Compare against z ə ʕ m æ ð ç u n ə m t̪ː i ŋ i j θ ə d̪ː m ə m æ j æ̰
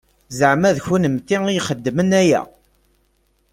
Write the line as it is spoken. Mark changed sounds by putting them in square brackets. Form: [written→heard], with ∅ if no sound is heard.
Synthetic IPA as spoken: z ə ʕ m æ ð ç u n ə m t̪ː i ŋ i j [θ→χ] ə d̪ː m ə [m→n] æ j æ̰